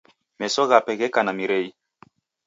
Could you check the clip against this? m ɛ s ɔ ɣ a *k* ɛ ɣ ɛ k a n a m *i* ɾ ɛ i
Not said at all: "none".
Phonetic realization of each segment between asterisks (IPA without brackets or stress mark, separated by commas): p, i